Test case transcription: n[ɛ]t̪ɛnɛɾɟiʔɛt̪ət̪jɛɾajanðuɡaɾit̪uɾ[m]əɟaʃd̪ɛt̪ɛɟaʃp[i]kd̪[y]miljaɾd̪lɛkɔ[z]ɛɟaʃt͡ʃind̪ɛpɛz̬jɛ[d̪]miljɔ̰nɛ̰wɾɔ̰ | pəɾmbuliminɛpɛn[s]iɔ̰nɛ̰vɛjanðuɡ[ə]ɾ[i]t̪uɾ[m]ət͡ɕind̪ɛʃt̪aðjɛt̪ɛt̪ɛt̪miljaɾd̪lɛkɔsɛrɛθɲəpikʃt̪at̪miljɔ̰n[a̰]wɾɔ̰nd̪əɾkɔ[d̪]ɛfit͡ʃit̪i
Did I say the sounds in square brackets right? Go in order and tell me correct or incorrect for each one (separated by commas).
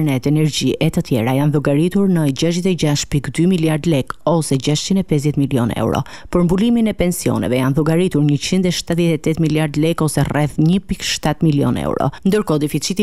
correct, incorrect, correct, correct, incorrect, incorrect, correct, incorrect, correct, incorrect, incorrect, correct